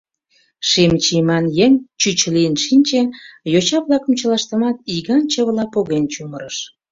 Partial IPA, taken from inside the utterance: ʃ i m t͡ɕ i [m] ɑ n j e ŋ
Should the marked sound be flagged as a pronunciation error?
no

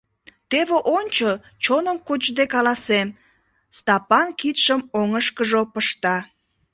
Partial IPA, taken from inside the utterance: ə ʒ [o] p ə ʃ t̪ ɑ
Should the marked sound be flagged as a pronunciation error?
no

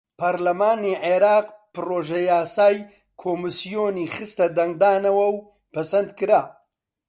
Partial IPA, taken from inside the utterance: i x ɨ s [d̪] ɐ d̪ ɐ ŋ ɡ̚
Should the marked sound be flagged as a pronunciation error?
yes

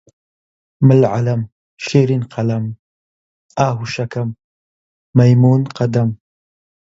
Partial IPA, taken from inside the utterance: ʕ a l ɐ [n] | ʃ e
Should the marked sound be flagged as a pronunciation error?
yes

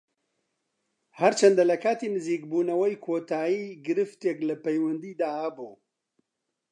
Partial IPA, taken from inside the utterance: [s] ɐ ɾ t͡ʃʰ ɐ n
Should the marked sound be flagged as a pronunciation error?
yes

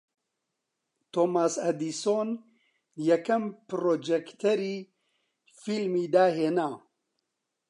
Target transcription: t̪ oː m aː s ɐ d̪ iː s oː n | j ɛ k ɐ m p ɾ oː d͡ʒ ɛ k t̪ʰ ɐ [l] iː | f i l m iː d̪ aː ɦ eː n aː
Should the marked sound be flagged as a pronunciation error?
yes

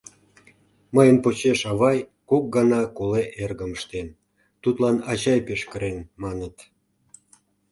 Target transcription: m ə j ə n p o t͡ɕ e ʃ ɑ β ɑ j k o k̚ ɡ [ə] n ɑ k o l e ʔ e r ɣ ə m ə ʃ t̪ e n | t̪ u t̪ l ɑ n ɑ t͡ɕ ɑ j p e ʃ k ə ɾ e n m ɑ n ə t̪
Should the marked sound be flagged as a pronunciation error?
yes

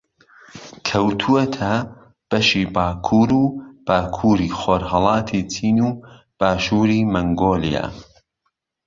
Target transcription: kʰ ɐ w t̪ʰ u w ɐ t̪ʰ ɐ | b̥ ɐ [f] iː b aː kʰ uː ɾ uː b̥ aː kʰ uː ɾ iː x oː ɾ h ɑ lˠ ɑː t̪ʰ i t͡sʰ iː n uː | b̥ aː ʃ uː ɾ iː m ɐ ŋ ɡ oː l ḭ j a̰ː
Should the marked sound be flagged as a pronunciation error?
yes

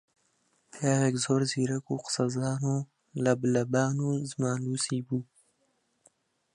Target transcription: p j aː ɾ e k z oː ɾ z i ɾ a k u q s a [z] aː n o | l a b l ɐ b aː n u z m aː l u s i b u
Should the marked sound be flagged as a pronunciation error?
no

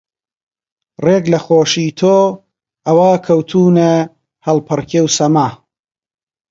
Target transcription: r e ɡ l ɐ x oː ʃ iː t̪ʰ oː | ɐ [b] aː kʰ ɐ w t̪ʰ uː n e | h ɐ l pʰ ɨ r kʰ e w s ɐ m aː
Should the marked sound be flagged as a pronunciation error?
yes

